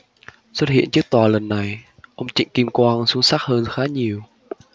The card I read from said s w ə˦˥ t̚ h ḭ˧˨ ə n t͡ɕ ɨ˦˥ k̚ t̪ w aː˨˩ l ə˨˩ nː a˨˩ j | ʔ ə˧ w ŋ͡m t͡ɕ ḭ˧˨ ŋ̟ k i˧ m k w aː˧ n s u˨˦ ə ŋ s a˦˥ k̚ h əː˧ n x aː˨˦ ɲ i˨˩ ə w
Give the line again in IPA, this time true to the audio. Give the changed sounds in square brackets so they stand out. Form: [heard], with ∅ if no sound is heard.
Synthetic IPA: s w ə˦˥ t̚ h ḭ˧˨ ə n t͡ɕ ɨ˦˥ k̚ t̪ w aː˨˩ l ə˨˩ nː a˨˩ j | ʔ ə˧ w ŋ͡m t͡ɕ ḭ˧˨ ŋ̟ k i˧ m k w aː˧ n s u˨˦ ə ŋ s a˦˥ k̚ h əː˧ n x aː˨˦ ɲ i˨˩ ə w